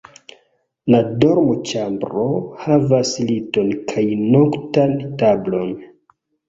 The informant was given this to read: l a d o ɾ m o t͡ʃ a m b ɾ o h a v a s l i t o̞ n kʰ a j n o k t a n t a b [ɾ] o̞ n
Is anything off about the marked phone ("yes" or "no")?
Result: yes